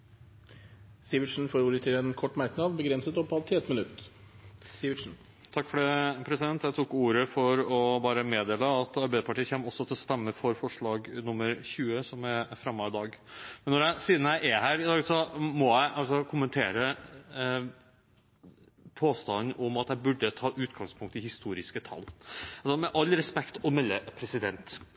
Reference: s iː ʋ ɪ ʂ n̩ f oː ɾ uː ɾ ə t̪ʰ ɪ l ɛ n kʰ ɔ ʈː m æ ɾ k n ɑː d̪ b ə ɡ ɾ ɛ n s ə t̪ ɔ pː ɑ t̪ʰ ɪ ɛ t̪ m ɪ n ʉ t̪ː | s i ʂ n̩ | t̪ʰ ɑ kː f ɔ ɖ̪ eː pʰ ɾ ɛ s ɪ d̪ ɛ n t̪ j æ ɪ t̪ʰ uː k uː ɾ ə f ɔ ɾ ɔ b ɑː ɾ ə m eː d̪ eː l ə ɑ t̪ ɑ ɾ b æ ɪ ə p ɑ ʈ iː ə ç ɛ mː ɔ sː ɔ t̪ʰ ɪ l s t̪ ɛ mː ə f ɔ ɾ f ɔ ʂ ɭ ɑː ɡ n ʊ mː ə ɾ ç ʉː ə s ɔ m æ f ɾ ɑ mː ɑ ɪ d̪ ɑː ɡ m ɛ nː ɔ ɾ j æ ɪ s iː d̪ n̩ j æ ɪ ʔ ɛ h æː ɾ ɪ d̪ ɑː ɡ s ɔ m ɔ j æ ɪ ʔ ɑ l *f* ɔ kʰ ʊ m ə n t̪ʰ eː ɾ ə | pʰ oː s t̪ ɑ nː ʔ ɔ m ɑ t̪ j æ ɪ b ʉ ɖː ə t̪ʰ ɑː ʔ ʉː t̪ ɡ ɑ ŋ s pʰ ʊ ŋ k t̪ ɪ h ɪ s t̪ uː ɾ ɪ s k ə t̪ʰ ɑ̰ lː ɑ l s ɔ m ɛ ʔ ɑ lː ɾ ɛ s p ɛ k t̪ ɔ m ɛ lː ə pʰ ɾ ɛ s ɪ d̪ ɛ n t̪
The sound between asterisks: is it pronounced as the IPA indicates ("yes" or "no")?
no